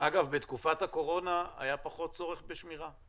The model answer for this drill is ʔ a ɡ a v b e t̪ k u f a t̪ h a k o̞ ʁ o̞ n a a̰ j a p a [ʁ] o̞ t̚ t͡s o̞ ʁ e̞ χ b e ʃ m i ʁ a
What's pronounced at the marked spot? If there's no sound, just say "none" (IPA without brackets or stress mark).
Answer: χ